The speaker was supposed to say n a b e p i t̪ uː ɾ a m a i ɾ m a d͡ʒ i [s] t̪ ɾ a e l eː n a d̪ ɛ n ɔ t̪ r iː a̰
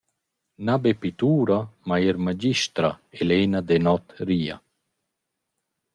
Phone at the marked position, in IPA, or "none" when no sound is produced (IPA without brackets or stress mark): ʃ